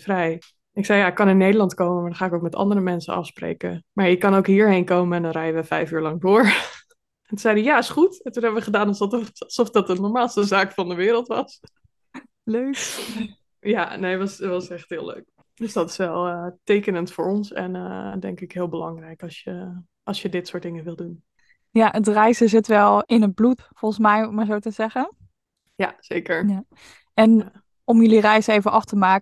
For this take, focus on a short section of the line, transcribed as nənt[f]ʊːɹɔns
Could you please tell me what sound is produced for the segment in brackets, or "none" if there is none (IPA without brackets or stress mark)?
f